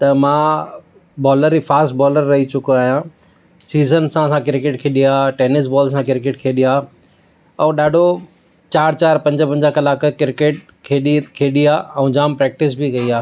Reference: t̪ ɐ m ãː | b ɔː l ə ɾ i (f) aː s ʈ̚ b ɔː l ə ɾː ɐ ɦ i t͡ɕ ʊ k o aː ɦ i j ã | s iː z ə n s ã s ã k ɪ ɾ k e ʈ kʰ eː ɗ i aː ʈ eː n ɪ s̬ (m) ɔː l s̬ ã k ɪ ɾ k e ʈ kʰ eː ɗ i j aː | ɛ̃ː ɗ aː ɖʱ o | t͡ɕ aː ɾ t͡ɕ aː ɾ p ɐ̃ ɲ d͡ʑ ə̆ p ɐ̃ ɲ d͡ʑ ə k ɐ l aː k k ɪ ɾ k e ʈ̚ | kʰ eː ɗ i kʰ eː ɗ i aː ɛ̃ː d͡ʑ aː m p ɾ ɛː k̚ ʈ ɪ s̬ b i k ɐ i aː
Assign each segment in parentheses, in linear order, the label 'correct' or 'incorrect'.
correct, incorrect

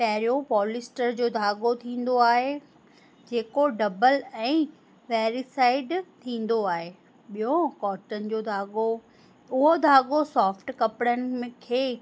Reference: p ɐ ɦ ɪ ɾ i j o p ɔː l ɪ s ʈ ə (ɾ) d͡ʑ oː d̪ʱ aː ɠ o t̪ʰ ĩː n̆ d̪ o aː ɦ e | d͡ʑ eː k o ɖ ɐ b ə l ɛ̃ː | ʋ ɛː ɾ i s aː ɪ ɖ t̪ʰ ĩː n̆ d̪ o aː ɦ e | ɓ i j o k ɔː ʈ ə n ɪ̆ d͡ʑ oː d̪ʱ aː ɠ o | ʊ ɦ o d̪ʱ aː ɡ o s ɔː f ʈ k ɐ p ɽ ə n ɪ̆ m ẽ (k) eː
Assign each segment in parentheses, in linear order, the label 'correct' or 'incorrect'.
correct, incorrect

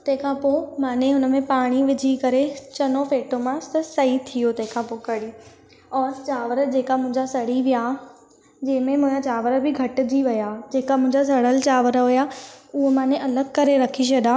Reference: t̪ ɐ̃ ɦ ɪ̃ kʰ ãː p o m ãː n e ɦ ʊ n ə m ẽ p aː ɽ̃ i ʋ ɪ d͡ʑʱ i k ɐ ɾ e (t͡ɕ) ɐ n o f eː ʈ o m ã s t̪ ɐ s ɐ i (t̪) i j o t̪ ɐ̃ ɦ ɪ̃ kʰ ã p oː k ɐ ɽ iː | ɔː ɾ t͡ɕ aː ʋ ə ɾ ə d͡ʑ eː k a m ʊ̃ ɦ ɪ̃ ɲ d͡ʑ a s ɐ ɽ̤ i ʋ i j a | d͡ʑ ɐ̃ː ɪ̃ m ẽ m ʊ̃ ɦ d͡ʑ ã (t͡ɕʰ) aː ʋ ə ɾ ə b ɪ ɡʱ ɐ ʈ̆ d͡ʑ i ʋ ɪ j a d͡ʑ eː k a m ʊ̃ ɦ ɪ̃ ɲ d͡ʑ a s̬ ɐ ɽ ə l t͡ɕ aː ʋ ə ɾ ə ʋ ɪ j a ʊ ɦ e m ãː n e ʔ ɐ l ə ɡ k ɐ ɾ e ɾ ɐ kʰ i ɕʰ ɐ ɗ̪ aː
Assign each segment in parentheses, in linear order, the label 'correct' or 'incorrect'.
correct, incorrect, incorrect

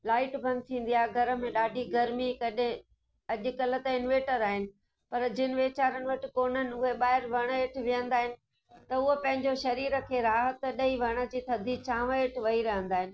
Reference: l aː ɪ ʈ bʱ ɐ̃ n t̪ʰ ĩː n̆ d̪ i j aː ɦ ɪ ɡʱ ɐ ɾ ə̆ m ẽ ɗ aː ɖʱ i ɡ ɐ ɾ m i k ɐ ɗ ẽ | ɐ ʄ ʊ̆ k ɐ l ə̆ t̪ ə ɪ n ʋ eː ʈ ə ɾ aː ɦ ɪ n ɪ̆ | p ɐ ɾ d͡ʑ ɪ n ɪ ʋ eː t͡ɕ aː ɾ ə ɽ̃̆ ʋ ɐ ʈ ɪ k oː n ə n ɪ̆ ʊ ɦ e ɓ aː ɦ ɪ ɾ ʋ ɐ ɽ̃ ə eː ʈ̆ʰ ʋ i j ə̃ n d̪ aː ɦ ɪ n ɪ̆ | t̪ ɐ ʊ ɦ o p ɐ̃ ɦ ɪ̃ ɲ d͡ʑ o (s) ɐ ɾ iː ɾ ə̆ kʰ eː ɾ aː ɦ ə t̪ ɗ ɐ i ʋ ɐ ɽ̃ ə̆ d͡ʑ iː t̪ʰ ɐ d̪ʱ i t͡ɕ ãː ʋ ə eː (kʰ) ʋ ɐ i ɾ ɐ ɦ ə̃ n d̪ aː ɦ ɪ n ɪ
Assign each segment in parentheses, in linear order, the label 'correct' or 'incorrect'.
incorrect, incorrect

